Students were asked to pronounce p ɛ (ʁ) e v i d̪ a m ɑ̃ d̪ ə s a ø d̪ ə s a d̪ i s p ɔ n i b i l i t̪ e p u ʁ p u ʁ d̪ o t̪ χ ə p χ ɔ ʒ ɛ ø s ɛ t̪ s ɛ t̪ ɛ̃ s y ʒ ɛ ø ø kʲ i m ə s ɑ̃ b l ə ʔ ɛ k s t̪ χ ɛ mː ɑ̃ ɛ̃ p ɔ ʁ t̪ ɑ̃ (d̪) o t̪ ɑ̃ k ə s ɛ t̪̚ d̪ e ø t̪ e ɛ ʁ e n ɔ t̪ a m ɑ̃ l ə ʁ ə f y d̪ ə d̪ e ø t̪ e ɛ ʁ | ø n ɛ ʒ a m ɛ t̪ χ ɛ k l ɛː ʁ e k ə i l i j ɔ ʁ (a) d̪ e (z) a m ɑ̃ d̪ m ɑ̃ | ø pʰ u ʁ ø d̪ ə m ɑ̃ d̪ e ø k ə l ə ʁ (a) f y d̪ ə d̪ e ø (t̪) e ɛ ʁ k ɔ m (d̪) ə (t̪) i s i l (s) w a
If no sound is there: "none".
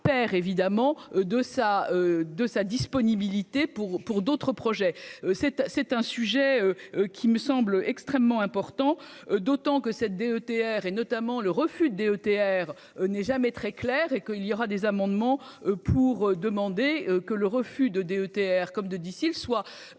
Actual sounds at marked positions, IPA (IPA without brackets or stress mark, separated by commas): ʁ, d̪, a, z, ə, t̪, d̪, d̪, s